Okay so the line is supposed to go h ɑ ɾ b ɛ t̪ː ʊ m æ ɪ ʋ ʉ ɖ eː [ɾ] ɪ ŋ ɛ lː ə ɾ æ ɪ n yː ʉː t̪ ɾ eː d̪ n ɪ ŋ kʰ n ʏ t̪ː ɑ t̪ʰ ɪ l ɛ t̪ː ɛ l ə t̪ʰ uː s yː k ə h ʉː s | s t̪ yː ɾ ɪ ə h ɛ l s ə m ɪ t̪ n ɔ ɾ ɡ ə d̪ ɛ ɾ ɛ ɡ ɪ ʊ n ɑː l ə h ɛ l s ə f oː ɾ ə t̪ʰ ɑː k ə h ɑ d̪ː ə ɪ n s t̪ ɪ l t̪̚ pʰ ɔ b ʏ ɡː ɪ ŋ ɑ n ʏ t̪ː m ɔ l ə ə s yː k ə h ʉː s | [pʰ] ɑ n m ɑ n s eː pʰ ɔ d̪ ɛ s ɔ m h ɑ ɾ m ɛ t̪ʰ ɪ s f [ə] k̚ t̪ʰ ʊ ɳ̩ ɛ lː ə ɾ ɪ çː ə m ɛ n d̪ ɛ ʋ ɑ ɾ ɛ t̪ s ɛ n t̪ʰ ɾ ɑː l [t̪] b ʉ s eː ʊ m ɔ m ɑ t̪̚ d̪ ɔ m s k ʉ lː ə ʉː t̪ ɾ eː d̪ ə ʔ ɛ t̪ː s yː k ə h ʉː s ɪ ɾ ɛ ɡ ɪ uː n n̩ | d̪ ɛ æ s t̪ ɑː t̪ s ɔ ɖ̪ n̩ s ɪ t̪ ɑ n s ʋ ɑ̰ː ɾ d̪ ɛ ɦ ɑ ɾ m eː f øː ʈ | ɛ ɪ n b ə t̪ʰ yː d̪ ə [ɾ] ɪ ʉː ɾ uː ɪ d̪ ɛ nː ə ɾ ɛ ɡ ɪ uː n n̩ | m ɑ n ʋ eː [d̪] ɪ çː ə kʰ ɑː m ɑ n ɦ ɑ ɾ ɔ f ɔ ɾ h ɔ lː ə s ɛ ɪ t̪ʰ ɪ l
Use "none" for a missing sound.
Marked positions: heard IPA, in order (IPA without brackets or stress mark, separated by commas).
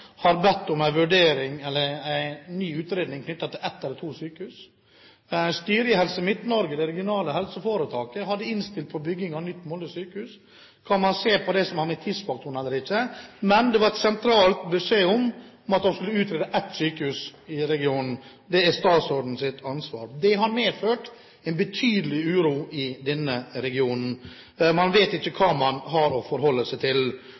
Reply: ɾ, kʰ, ɑ, t̪, l, t̪